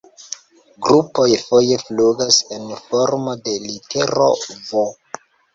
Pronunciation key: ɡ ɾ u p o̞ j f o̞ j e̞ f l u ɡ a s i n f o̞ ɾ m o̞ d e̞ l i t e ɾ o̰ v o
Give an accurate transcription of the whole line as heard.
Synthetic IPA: ɡ ɾ u p o̞ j f o̞ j e̞ f l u ɡ a s e n f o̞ ɾ m o̞ d e̞ l i t e ɾ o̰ v o